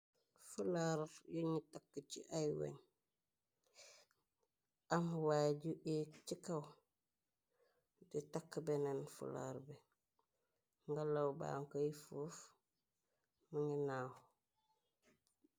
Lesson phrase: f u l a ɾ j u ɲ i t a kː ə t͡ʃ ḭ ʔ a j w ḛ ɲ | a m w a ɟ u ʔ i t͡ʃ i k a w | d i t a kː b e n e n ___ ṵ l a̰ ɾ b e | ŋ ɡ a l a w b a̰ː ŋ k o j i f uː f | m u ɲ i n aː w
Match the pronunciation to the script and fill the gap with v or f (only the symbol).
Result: f